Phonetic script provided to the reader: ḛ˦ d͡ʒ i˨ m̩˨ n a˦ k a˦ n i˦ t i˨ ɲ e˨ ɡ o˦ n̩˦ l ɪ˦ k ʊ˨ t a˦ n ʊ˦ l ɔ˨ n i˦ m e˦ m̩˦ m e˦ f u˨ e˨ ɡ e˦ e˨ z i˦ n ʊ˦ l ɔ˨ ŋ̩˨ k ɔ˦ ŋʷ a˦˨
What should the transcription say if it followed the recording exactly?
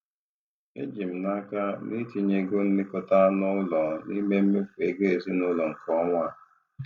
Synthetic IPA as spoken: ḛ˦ d͡ʒ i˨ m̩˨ n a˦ k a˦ n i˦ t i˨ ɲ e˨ ɡ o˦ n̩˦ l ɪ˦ k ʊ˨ t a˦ n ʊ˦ l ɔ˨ n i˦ m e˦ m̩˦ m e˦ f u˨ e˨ ɡ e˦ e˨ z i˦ n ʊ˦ l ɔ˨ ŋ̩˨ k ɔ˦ ŋʷ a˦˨

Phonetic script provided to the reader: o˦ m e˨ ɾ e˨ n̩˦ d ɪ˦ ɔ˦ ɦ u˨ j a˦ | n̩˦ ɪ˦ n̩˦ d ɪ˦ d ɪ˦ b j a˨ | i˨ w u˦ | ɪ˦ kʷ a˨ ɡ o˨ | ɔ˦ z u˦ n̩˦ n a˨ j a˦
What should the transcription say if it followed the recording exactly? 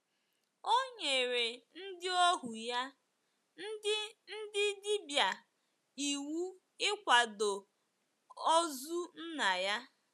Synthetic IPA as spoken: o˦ ɲ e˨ ɾ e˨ n̩˦ d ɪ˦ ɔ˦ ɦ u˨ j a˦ | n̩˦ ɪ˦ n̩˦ d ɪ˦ d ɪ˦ b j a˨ | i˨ w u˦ | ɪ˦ kʷ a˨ d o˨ | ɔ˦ z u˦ n̩˦ n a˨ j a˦

